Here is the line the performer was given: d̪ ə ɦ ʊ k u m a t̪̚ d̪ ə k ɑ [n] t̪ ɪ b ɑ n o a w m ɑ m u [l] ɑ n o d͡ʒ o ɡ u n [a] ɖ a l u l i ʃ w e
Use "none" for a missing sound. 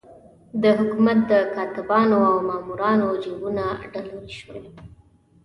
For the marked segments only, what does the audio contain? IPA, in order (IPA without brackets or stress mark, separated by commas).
none, ɾ, a